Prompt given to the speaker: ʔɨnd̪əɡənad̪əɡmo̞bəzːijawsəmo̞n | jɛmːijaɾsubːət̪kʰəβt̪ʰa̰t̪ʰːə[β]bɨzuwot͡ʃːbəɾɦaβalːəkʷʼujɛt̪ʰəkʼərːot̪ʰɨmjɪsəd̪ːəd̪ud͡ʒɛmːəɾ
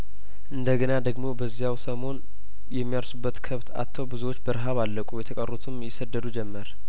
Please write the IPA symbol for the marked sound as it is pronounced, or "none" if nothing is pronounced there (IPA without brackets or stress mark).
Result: w